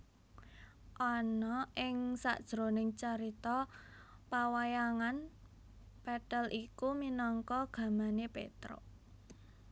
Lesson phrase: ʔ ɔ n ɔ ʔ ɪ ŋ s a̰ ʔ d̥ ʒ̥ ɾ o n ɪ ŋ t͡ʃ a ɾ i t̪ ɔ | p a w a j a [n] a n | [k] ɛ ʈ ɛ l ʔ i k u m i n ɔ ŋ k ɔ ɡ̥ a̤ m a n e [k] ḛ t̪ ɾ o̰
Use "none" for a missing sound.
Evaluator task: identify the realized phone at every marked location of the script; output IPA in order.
ŋ, p, p

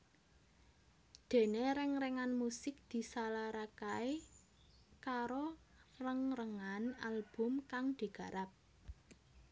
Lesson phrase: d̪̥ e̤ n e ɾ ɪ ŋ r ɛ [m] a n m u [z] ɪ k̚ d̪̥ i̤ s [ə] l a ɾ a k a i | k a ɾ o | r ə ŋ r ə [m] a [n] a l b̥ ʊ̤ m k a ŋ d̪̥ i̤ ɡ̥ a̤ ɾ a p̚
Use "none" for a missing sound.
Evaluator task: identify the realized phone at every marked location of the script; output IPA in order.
ŋ, s, a, ŋ, n

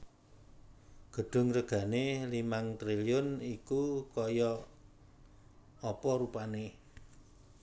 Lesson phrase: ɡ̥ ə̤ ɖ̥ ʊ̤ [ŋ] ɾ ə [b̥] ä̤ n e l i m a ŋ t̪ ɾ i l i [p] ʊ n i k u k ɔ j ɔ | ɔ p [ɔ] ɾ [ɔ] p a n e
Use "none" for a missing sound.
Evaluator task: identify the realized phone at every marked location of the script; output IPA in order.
ŋ, ɡ̥, none, ɔ, u

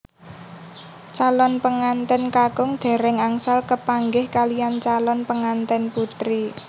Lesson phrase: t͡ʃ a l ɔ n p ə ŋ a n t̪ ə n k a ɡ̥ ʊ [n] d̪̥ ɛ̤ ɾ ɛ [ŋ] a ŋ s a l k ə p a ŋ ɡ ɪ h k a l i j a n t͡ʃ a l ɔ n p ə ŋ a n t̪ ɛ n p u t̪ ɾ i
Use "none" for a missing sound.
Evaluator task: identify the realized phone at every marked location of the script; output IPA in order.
ŋ, ŋ

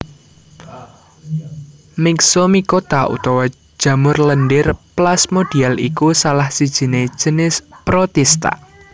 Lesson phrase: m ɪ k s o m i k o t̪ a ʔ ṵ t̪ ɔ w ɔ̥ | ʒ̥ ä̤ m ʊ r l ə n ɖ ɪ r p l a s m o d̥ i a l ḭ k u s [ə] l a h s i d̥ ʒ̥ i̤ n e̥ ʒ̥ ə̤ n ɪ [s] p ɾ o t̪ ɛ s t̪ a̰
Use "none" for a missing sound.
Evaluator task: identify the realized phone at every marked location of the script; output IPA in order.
a, s

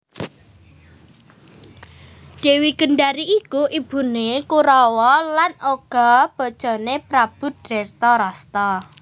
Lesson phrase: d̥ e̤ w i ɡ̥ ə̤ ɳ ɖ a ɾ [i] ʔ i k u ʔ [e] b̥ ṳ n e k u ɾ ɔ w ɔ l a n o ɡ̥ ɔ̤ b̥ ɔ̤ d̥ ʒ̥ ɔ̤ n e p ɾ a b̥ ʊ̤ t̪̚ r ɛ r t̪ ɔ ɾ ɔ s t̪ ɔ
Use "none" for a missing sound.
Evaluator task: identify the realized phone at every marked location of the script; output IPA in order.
i, i

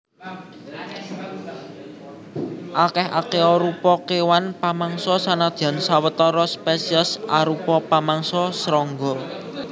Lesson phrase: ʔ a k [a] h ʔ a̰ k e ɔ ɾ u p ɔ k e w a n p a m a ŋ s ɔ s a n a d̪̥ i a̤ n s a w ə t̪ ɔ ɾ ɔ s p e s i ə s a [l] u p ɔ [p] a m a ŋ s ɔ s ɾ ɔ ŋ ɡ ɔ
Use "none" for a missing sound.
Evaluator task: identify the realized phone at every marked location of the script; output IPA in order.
ɛ, ɾ, p

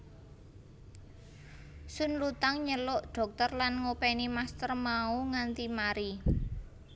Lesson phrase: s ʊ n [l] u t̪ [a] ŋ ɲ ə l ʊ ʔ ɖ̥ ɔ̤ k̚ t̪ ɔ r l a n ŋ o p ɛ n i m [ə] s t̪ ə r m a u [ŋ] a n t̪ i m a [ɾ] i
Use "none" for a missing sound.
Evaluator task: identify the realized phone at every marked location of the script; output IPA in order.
l, a, a, ŋ, ɾ

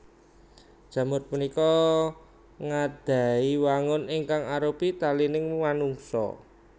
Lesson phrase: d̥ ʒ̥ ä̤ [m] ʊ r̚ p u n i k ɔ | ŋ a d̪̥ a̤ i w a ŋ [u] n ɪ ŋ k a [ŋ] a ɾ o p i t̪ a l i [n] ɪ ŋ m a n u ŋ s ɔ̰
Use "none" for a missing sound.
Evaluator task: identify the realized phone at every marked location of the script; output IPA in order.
m, ʊ, ŋ, n

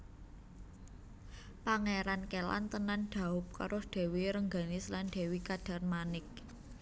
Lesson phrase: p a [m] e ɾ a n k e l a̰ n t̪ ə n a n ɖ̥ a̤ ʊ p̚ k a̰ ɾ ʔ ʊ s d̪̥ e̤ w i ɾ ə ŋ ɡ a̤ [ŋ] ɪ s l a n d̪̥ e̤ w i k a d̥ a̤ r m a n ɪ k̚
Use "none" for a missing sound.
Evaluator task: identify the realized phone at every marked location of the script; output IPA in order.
ŋ, n

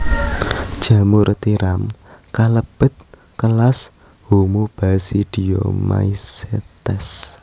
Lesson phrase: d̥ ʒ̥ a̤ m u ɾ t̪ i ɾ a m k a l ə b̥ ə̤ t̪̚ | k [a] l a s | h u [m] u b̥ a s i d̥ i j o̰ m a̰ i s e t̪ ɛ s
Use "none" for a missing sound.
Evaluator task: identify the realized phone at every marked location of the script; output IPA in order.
ə, m

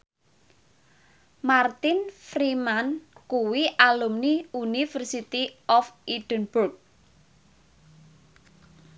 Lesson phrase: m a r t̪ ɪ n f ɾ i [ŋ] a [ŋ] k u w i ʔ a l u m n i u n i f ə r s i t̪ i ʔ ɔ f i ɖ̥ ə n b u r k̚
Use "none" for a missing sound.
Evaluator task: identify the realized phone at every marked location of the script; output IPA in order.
m, n

